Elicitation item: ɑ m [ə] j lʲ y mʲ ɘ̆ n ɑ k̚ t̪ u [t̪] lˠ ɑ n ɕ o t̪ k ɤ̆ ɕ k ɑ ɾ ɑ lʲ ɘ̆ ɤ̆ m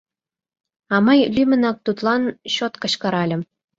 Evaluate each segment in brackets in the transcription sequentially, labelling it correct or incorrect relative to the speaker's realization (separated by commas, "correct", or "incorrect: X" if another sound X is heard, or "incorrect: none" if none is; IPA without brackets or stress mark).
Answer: incorrect: ɑ, correct